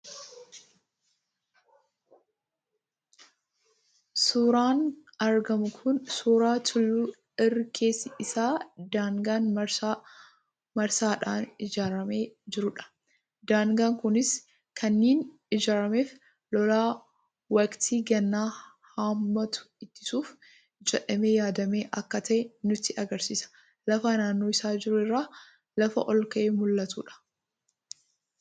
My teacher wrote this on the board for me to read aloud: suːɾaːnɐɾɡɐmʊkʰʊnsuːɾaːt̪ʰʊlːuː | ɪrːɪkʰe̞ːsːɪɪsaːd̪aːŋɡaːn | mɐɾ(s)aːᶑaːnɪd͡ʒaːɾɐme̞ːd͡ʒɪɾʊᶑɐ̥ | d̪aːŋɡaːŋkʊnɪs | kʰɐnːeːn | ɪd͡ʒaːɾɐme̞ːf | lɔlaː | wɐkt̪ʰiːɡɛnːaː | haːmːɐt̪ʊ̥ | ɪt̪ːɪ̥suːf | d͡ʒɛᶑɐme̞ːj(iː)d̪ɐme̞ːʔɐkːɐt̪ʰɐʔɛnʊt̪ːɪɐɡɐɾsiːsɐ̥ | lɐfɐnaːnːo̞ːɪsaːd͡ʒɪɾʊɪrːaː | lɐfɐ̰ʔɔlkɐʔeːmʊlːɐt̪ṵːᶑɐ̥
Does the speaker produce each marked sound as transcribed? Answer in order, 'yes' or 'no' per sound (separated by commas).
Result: yes, no